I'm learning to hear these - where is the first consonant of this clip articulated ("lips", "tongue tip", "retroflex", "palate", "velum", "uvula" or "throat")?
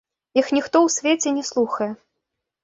velum